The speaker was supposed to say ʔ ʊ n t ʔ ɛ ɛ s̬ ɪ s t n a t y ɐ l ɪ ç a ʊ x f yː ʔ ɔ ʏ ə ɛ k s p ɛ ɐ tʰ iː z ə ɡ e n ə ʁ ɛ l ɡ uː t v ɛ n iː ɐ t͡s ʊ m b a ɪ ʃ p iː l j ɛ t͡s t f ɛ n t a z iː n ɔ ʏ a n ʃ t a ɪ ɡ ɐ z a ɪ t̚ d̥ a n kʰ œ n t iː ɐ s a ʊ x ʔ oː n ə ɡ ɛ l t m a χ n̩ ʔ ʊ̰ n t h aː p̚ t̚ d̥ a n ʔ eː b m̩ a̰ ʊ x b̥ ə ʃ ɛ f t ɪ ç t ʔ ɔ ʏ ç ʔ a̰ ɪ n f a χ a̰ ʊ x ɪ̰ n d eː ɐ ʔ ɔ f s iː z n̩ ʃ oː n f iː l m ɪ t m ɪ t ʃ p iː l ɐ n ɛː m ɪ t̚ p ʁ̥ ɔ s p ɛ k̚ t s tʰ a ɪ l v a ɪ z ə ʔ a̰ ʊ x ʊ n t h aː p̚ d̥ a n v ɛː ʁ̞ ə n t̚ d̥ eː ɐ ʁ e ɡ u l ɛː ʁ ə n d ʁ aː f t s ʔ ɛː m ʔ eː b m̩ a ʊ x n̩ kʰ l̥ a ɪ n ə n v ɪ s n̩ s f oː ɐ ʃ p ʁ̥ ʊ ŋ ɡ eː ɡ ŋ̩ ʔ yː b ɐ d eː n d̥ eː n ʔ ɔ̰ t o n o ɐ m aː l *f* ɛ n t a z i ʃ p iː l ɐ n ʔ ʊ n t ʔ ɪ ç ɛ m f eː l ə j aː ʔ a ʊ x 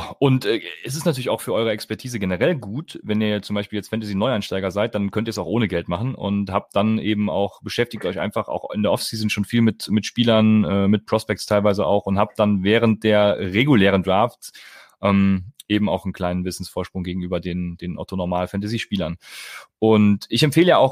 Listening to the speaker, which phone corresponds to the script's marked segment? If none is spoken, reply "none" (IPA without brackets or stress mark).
f